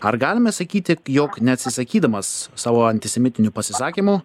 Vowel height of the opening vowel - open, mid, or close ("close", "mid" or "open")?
open